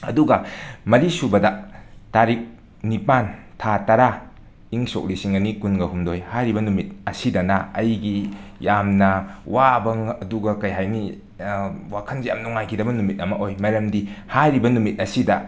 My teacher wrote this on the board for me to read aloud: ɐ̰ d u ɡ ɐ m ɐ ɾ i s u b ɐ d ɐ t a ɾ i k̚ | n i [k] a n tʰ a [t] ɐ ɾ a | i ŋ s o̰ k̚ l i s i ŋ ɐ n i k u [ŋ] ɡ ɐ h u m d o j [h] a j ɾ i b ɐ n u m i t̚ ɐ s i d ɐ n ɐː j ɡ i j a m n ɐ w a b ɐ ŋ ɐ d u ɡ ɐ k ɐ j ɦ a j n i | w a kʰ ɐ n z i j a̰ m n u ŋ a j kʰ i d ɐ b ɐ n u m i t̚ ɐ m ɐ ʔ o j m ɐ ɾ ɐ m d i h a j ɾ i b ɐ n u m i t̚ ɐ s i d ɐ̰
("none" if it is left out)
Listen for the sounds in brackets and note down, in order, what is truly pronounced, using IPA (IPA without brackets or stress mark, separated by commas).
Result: p, t, n, h